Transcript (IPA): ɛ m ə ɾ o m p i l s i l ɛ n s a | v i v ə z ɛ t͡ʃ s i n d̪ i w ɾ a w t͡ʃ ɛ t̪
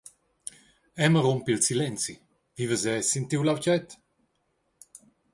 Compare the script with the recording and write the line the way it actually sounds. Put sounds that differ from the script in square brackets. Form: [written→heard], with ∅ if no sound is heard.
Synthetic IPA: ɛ m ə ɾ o m p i l s i l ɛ n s [a→i] | v i v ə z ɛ [t͡ʃ→∅] s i n [d̪→t̪] i w [ɾ→l] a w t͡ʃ ɛ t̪